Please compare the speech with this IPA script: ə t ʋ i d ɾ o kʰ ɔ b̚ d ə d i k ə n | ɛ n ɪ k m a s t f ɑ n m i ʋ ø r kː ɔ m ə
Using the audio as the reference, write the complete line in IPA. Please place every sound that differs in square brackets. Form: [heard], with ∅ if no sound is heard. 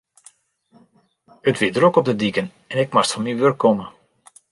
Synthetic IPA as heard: ə t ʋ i d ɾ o [k] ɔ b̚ d ə d i k ə n | ɛ n ɪ k m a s t f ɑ n m i ʋ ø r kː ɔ m ə